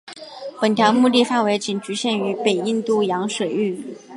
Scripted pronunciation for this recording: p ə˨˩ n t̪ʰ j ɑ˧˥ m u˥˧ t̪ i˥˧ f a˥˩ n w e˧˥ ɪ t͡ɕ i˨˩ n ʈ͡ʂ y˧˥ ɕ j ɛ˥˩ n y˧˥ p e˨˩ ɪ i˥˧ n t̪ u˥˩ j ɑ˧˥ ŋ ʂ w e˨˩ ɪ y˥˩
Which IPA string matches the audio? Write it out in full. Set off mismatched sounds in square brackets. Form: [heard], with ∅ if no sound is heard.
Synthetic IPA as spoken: p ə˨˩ n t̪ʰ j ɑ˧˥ m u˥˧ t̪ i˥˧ f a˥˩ n w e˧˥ ɪ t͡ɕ i˨˩ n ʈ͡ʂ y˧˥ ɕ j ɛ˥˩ n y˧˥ p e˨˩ ɪ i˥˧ n t̪ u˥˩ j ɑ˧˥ ŋ ʂ w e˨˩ ɪ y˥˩